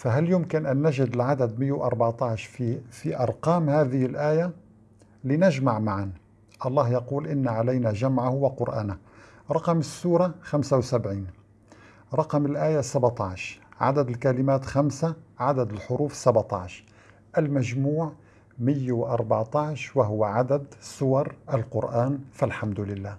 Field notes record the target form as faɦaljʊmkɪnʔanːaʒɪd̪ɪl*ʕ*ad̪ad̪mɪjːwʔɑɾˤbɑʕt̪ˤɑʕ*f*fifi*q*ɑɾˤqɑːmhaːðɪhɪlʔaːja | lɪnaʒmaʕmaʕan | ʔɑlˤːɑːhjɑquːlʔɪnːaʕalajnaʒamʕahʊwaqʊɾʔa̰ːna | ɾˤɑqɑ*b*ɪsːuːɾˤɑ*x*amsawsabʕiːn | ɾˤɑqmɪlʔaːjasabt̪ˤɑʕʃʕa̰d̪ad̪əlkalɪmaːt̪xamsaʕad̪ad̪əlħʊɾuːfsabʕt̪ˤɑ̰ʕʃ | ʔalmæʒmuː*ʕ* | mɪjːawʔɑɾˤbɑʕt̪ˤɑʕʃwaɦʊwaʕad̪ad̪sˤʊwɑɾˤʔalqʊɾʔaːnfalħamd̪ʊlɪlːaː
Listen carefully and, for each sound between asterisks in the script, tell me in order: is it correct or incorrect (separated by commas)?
correct, incorrect, incorrect, incorrect, correct, correct